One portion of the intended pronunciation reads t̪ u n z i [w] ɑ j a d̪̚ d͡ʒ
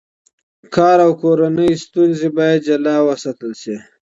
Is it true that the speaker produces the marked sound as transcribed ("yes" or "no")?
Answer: no